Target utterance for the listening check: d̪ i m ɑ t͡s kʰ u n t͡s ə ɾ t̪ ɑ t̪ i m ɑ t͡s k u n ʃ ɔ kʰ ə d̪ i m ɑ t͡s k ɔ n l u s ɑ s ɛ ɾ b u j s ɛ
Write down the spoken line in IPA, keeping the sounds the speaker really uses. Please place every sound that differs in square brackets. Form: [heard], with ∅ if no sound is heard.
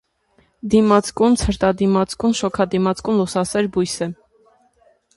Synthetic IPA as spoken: d̪ i m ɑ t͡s [k] u n [t͡sʰ] ə ɾ t̪ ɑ [d̪] i m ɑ t͡s k u n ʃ ɔ kʰ [ɑ] d̪ i m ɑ t͡s k [u] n l u s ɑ s ɛ ɾ b u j s ɛ